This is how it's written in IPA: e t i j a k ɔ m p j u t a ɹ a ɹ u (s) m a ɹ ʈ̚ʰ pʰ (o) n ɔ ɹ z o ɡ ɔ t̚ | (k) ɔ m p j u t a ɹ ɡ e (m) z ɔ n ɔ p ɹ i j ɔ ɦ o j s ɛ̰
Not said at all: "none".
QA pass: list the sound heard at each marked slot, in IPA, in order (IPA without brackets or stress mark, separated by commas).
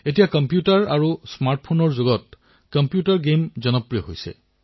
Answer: s, o, k, m